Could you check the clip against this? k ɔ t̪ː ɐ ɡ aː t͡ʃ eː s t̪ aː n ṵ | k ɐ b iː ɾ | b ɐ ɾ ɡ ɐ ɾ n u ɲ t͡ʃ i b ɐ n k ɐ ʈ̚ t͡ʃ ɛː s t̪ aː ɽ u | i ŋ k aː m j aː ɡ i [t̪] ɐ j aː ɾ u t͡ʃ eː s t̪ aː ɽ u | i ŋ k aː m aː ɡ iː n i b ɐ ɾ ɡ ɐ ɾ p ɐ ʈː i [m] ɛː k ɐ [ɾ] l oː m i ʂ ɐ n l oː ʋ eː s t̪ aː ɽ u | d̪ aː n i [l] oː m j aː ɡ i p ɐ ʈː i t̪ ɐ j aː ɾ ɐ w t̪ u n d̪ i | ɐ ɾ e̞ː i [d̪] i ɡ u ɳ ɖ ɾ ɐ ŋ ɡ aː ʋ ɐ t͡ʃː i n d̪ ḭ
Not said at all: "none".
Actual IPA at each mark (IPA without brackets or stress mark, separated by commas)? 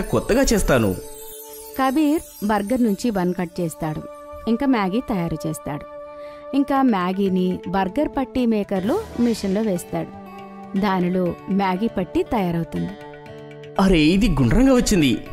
t̪, m, ɾ, l, d̪